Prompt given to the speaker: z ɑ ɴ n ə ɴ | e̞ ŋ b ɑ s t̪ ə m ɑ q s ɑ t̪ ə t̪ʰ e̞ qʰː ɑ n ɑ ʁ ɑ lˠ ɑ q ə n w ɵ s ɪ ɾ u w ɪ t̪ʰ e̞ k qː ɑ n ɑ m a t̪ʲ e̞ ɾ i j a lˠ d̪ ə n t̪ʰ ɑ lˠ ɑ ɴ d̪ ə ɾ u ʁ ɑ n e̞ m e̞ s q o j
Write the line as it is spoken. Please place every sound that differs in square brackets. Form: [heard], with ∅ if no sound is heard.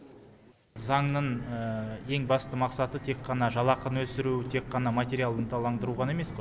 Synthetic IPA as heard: z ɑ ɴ n ə ɴ | e̞ ŋ b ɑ s t̪ ə m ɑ q s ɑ t̪ ə t̪ʰ e̞ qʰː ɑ n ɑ [ʒ] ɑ lˠ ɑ q ə n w ɵ s ɪ ɾ u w ɪ t̪ʰ e̞ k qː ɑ n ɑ m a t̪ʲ e̞ ɾ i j a lˠ d̪ ə n t̪ʰ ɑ lˠ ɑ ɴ d̪ ə ɾ u ʁ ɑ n e̞ m e̞ s q o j